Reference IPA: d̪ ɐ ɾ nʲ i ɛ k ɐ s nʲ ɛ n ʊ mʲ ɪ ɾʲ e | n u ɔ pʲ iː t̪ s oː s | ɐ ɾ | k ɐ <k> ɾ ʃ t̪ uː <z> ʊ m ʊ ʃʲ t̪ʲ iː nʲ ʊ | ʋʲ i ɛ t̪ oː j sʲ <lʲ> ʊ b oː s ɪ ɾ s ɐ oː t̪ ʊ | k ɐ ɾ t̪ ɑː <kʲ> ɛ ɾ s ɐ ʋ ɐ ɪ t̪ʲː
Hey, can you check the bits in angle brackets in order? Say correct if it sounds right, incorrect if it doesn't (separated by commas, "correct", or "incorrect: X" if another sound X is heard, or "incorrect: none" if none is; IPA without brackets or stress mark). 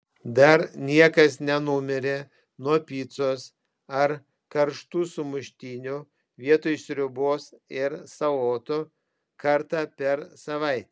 incorrect: none, incorrect: s, incorrect: ɾʲ, incorrect: pʲ